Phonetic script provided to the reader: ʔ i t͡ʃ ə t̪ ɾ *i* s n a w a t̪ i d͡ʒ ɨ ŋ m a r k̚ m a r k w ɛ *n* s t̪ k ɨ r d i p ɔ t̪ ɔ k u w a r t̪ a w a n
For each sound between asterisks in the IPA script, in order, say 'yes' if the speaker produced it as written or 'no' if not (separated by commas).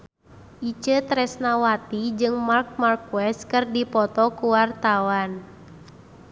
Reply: no, no